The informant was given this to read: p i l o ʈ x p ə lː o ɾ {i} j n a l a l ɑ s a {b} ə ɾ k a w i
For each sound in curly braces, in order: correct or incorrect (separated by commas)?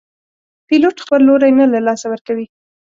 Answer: incorrect, incorrect